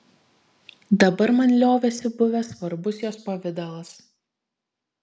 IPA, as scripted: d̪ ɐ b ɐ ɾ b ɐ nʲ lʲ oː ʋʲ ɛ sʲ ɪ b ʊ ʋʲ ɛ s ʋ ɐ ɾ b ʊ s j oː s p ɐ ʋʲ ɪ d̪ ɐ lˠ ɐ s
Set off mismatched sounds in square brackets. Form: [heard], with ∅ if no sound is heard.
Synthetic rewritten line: d̪ ɐ b ɐ ɾ [m] ɐ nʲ lʲ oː ʋʲ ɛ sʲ ɪ b ʊ ʋʲ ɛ s ʋ ɐ ɾ b ʊ s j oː s p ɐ ʋʲ ɪ d̪ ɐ lˠ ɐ s